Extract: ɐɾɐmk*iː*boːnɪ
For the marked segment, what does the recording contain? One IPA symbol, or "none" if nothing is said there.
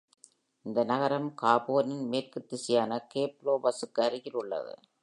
aː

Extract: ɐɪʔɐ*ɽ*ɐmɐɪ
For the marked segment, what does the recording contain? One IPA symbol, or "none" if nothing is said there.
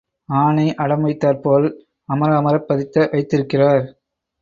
ɽ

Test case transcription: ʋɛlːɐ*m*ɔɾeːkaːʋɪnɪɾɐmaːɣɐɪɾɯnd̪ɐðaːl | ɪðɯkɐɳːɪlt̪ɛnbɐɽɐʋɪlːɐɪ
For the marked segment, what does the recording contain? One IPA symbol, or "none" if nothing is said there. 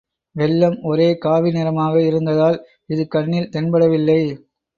m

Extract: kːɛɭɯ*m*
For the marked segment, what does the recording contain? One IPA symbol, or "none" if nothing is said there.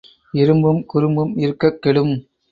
m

